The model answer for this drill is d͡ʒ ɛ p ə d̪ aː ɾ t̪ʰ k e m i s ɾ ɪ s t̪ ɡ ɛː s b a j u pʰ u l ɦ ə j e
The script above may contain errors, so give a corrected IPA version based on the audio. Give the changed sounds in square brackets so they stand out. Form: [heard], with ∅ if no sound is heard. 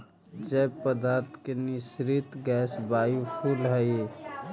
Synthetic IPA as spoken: d͡ʒ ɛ p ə d̪ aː ɾ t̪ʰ k e [n] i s ɾ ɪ [∅] t̪ ɡ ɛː s b a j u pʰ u l ɦ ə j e